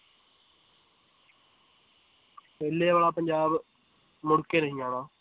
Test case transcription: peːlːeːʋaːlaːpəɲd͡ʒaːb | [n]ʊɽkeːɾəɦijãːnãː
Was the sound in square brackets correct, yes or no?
no